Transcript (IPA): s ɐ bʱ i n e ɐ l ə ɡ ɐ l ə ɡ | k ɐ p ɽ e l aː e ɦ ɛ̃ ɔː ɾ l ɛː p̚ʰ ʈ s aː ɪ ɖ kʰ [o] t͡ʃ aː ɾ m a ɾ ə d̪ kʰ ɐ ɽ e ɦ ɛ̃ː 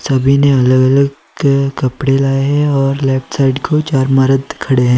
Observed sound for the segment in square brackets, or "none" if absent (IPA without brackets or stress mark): o